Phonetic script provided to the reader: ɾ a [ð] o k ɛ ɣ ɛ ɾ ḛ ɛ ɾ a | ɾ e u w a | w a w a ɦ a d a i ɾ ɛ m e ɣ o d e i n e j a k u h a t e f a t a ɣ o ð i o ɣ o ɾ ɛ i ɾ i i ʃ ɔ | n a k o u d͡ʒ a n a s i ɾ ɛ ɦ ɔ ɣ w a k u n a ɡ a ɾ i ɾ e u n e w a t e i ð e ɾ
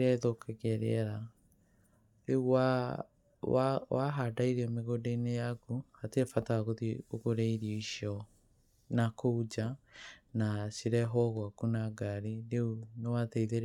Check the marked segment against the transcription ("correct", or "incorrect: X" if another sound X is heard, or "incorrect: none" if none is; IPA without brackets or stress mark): correct